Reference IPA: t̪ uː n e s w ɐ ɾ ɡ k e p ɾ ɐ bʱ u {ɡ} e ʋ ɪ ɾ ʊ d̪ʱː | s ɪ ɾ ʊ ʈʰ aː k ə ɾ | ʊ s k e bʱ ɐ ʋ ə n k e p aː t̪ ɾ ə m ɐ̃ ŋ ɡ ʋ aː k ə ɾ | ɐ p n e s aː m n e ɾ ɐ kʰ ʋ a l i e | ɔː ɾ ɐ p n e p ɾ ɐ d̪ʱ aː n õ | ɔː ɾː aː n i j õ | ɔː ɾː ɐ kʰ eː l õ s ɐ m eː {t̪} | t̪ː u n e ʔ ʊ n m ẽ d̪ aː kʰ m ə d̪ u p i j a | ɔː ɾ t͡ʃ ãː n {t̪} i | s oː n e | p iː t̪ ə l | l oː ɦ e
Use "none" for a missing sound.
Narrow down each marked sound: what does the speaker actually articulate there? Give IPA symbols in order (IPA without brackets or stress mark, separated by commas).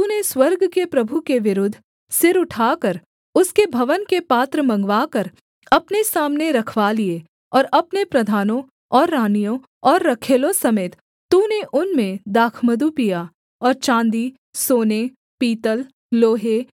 k, t̪, d̪